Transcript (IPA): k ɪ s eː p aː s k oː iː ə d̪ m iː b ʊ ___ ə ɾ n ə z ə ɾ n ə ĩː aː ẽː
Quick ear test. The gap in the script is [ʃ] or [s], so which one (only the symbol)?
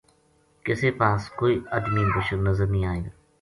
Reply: ʃ